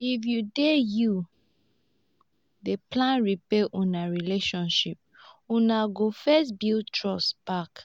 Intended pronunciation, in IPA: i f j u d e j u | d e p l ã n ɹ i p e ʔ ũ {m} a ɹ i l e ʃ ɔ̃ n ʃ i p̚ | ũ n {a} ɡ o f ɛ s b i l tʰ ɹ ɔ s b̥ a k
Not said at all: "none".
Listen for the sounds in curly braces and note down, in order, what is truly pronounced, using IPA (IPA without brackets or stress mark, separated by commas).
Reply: n, a